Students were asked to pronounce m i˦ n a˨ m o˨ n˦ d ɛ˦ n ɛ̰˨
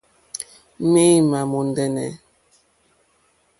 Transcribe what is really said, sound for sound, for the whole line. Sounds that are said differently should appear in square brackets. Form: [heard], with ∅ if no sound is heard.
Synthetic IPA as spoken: m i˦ [m] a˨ m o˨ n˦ d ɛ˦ n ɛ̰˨